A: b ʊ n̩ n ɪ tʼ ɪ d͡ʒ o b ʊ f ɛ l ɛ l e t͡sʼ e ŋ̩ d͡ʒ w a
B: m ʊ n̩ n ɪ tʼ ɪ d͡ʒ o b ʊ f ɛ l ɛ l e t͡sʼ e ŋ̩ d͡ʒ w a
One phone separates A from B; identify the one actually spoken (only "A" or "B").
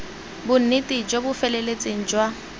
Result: A